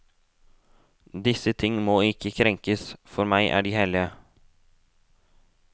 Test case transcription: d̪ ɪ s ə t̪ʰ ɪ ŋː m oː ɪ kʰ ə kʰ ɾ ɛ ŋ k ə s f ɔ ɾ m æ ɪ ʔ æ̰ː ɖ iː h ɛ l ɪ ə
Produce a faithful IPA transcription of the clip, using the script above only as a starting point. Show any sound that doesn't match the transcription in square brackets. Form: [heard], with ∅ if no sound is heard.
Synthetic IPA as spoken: d̪ ɪ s ə t̪ʰ ɪ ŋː m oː ɪ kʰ ə kʰ ɾ ɛ ŋ k ə s f ɔ ɾ m æ ɪ ʔ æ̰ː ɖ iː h ɛ l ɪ ə